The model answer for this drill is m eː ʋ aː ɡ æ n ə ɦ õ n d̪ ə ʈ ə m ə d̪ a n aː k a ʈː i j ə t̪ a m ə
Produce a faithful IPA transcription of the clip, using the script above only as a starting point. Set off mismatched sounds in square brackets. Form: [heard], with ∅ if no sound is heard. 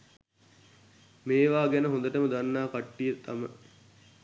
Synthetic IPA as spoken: m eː ʋ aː ɡ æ n ə ɦ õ n d̪ ə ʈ ə m ə d̪ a [nː] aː k a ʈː i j ə t̪ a m ə